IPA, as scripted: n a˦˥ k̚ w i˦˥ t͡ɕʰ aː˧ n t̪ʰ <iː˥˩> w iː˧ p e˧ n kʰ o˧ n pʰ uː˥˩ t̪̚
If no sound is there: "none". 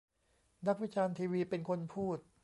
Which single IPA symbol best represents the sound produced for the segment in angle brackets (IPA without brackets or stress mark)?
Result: iː˧